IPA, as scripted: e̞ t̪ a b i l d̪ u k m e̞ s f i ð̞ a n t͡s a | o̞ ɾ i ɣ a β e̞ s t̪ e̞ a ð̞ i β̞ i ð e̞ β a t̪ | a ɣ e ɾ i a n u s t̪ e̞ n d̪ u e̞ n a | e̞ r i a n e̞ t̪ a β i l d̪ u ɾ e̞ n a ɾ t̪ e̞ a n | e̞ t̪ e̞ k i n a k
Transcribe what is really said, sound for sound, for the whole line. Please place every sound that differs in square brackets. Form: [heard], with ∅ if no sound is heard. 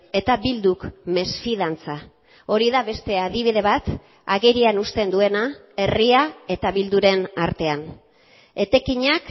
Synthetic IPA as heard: e̞ t̪ a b i l d̪ u k m e̞ s f i ð̞ a n t͡s a | o̞ ɾ i [ð] a β e̞ s t̪ e̞ a ð̞ i β̞ i ð e̞ β a t̪ | a ɣ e ɾ i a n u s t̪ e̞ n d̪ u e̞ n a | e̞ r i a [∅] e̞ t̪ a β i l d̪ u ɾ e̞ n a ɾ t̪ e̞ a n | e̞ t̪ e̞ k i [ɲ] a k